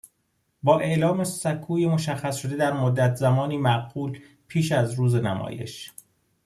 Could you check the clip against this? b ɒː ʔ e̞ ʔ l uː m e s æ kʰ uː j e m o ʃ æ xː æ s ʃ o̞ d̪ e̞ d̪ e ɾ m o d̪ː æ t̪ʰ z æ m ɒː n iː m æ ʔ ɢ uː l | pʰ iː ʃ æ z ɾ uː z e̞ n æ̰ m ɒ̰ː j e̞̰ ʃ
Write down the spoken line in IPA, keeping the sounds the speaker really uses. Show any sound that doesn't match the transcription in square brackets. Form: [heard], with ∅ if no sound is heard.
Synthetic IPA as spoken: b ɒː ʔ e̞ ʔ l [ɒː] m e s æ kʰ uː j e m o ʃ æ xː æ s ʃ o̞ d̪ e̞ d̪ [æ] ɾ m o d̪ː æ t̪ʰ z æ m ɒː n iː m æ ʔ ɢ uː l | pʰ iː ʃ æ z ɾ uː z e̞ n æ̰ m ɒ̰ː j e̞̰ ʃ